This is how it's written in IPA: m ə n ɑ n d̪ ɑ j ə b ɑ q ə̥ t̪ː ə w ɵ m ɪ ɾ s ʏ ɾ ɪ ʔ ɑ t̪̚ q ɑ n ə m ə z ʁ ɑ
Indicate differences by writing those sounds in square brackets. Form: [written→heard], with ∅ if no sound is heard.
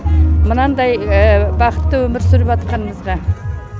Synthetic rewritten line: m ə n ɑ n d̪ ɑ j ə b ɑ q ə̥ t̪ː ə w ɵ m ɪ ɾ s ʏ ɾ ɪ [ʔ→p] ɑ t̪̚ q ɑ n ə m ə z ʁ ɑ